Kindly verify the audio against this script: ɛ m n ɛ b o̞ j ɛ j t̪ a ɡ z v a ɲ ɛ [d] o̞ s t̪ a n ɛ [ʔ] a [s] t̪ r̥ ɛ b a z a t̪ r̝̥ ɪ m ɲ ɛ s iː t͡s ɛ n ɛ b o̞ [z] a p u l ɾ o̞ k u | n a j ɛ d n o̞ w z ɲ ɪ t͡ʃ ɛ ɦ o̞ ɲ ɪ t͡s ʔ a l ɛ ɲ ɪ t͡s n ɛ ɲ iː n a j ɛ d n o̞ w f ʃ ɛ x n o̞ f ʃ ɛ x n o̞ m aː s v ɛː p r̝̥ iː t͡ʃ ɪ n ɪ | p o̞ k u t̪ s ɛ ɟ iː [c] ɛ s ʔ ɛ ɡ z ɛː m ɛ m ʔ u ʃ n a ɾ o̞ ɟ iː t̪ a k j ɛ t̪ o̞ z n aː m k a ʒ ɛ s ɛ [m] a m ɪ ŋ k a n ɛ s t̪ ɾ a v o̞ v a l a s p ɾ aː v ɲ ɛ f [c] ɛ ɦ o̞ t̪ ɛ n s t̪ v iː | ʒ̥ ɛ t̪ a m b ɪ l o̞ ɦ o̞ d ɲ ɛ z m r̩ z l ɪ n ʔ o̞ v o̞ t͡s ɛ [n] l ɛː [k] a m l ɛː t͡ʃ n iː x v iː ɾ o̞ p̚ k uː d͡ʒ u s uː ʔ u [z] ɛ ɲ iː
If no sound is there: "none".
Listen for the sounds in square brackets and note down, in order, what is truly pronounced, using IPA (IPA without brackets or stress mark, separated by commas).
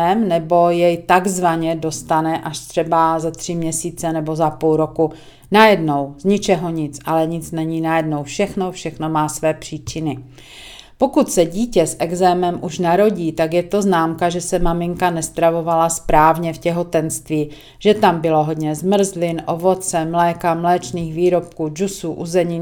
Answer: d, ʔ, ʃ, z, c, m, c, m, k, z